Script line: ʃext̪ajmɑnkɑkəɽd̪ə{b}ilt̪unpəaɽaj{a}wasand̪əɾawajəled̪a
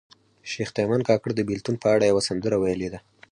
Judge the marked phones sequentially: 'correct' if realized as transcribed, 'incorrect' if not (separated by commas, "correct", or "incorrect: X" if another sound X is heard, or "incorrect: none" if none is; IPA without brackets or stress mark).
correct, correct